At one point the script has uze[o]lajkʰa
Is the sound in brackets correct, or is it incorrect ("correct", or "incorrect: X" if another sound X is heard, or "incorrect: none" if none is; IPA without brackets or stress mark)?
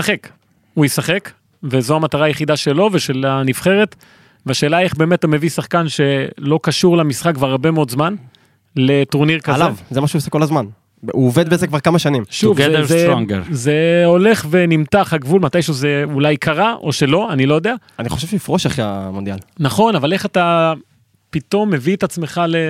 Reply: incorrect: u